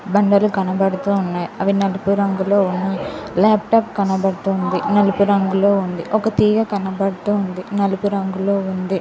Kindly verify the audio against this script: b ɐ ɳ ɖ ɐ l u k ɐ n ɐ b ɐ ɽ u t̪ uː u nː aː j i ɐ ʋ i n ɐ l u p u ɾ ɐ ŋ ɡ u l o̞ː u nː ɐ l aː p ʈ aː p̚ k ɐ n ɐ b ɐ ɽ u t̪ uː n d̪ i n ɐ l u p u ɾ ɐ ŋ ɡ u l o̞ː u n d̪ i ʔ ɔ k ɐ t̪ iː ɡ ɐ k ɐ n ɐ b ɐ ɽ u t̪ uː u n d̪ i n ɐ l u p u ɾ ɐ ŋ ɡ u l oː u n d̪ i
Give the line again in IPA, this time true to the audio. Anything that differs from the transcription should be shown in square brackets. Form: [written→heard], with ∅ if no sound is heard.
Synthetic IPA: b ɐ ɳ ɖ ɐ l u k ɐ n ɐ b ɐ ɽ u t̪ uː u nː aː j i ɐ ʋ i n ɐ l u p u ɾ ɐ ŋ ɡ u l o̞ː u nː ɐ l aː p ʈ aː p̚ k ɐ n ɐ b ɐ ɽ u t̪ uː n d̪ i n ɐ l u p u ɾ ɐ ŋ ɡ u l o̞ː u n d̪ i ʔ ɔ k ɐ t̪ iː ɡ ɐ k ɐ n ɐ b ɐ ɽ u t̪ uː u n d̪ i n ɐ l u p u ɾ ɐ ŋ ɡ u l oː u n d̪ i